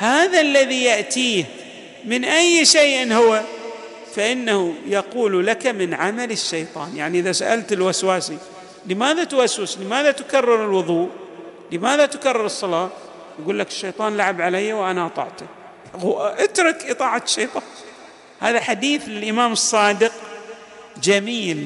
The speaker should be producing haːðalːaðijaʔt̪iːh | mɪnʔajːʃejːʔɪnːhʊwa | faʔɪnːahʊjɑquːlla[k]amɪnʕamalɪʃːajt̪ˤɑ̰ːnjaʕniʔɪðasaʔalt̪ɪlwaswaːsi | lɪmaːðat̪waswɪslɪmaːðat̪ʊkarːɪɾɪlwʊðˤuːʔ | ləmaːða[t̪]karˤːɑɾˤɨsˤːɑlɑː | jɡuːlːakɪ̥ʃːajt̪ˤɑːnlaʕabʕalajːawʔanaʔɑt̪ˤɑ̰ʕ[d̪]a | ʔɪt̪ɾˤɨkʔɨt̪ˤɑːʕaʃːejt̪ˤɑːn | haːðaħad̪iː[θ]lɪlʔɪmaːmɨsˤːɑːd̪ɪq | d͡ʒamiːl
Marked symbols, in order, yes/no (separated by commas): yes, yes, no, yes